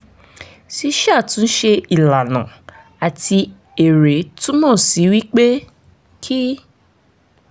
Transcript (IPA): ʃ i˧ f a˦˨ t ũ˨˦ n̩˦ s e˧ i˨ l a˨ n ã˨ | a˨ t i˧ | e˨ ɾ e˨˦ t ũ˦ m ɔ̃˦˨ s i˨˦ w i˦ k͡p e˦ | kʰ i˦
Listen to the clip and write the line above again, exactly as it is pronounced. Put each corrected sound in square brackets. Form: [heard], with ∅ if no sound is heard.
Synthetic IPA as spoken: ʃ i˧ [ʃ] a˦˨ t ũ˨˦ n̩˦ [ʃ] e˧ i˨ l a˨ n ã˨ | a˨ t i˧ | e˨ ɾ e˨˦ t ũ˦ m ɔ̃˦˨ s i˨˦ w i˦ k͡p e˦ | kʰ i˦

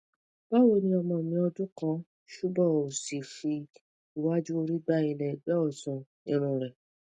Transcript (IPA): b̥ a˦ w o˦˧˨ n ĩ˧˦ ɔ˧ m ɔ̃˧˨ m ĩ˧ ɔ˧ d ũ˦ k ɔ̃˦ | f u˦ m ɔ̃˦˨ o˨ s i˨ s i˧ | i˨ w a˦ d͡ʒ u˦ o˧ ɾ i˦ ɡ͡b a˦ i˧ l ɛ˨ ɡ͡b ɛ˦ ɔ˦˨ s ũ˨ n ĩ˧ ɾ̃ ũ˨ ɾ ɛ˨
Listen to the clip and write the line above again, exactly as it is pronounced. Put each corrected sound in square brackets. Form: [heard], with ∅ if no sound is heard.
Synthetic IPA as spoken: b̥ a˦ w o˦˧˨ n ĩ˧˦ ɔ˧ m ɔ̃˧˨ m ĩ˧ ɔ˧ d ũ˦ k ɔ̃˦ | [ʃ] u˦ [b] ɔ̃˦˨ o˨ s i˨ [f] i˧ | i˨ w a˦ d͡ʒ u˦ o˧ ɾ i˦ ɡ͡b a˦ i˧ l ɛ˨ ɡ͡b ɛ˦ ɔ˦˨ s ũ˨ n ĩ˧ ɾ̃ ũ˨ ɾ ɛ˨

